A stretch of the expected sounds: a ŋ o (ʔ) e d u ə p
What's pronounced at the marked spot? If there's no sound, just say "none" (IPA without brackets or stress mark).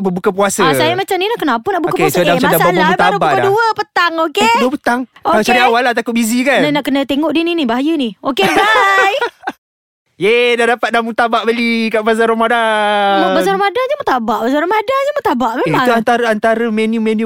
k